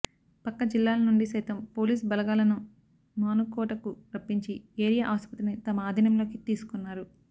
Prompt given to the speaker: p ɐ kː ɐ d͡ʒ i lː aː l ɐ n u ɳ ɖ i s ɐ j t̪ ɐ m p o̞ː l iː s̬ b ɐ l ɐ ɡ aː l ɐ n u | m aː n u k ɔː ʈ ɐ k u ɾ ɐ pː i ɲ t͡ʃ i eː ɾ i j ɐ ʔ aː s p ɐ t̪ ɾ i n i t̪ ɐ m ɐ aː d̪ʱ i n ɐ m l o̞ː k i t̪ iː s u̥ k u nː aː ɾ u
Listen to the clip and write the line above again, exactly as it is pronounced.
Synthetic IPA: p ɐ kː ɐ d͡ʒ i lː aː l ɐ n u ɳ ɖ i s ɐ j t̪ ɐ m p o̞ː l iː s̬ b ɐ l ɐ ɡ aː l ɐ n u | m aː n u k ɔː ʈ ɐ k u ɾ ɐ pː i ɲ t͡ʃ i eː ɾ i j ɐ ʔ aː s p ɐ t̪ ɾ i n i t̪ ɐ m ɐ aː d̪ʱ i n ɐ m l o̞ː k i t̪ iː s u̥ k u nː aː ɾ u